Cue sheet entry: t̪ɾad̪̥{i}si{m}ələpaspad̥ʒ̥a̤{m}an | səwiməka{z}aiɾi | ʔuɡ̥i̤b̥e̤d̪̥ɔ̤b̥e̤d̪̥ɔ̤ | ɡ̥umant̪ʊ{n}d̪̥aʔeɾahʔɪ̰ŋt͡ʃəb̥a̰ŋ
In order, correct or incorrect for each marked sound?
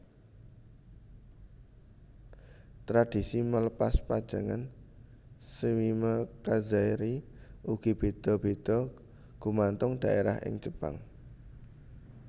correct, correct, incorrect, correct, incorrect

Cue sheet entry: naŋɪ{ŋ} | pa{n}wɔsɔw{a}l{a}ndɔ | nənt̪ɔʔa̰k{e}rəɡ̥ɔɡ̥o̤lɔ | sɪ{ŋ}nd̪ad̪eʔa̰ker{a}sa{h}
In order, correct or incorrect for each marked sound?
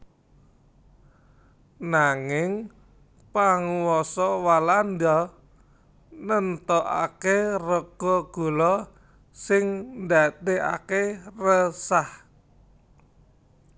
correct, incorrect, correct, correct, correct, correct, incorrect, correct

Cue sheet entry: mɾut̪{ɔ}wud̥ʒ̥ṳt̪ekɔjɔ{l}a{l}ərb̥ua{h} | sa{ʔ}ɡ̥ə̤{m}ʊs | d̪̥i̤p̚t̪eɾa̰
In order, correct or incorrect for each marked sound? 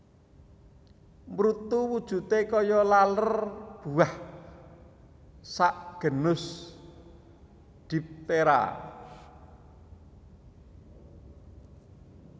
incorrect, correct, correct, correct, correct, incorrect

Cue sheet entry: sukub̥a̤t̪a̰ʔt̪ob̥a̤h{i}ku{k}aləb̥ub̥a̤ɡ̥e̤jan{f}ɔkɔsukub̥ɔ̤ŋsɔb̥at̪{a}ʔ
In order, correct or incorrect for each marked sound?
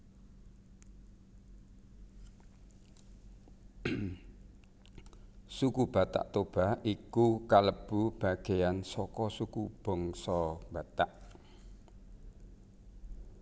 correct, correct, incorrect, correct

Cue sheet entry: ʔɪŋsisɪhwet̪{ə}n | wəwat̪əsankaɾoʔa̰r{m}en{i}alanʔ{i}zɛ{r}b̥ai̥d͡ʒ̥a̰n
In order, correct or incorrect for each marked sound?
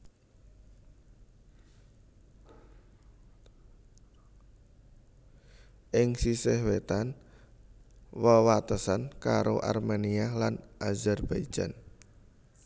incorrect, correct, correct, incorrect, correct

